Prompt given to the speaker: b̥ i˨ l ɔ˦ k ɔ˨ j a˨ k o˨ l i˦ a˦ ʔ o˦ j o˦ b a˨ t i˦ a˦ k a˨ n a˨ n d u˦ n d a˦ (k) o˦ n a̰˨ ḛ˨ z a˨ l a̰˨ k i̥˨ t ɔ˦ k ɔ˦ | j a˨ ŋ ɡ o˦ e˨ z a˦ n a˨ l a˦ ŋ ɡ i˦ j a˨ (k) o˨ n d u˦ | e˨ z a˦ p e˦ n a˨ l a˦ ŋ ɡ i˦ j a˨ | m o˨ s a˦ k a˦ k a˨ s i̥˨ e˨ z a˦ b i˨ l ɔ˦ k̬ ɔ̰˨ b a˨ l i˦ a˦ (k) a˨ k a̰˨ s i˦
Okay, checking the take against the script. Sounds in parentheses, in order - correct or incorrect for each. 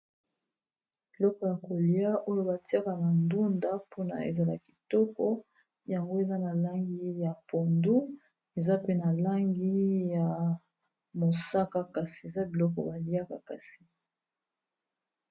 incorrect: p, incorrect: p, correct

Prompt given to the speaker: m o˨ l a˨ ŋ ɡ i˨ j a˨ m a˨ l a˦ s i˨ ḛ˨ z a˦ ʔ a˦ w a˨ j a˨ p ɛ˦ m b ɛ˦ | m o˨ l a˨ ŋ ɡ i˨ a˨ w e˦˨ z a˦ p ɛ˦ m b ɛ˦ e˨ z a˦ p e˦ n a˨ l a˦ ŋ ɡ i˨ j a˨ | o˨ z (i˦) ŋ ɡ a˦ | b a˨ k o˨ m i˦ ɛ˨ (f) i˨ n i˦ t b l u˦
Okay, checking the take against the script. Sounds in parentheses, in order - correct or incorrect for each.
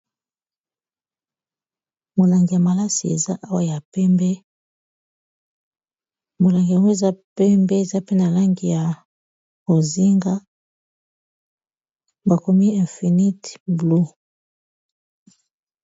correct, correct

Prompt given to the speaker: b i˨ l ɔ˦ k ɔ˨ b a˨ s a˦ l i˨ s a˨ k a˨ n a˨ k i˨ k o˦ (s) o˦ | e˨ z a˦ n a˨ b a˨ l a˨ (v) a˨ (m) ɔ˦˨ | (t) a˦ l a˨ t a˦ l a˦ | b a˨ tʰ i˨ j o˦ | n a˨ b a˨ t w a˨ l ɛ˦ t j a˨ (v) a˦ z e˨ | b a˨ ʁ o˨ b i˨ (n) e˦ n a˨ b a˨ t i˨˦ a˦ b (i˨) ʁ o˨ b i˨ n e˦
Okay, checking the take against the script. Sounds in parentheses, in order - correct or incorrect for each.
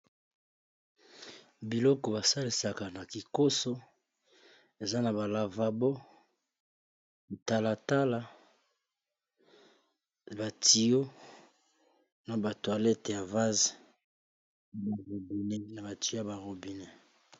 correct, correct, incorrect: b, correct, correct, correct, incorrect: a˨

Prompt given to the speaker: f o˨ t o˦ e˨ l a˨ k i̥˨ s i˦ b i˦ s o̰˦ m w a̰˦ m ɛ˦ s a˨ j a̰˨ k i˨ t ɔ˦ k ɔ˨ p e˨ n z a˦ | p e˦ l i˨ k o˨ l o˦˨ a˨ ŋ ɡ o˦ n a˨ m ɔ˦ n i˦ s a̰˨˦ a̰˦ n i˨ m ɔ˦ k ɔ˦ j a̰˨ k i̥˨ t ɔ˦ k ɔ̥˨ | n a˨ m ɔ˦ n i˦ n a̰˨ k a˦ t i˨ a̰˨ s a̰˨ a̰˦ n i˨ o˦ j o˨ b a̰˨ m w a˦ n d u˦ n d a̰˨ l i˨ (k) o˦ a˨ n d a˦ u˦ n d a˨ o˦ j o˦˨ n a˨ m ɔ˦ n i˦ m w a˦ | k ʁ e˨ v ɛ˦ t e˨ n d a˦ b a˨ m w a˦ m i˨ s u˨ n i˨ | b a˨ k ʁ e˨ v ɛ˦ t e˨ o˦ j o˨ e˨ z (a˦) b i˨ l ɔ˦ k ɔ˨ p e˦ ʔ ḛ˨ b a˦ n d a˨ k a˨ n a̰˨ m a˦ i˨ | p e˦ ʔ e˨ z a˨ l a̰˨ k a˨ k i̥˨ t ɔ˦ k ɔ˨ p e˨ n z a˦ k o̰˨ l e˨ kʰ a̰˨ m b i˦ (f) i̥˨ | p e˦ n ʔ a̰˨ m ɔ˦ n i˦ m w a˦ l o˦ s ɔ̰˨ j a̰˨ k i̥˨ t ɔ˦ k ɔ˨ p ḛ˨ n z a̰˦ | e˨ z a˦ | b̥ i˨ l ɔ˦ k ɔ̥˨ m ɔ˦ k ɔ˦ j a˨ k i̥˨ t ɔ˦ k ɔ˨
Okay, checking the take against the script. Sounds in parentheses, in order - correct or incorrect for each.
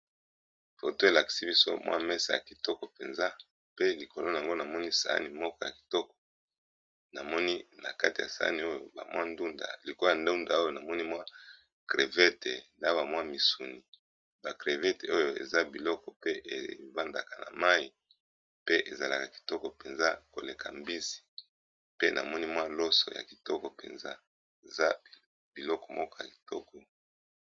correct, correct, incorrect: s

